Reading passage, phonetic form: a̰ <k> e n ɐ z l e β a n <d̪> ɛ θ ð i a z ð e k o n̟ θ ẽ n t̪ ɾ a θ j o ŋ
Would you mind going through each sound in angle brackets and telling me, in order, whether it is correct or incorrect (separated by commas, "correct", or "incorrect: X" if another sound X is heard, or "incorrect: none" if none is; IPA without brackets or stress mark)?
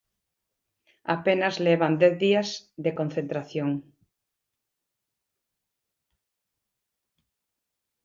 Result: incorrect: p, correct